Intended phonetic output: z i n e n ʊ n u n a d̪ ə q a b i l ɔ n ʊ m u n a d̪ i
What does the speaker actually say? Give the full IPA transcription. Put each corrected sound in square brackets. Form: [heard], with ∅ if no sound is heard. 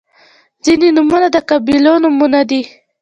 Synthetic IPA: z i n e n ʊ [m] u n a d̪ ə [k] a b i l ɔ n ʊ m u n a d̪ i